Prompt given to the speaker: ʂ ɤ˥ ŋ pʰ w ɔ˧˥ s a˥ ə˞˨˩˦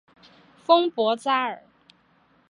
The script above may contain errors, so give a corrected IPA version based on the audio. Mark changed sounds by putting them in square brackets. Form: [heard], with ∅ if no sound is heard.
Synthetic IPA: [f] ɤ˥ ŋ [p] w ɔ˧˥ [t͡s] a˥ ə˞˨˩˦